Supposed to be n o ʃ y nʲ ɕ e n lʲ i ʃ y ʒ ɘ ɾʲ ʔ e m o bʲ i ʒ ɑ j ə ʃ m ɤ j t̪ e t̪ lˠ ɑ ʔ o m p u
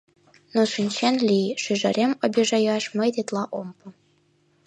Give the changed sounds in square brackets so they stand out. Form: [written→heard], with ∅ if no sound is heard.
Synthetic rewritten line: n o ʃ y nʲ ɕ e n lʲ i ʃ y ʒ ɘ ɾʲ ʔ e m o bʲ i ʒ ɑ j [ə→ɑ] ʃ m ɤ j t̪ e t̪ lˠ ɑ ʔ o m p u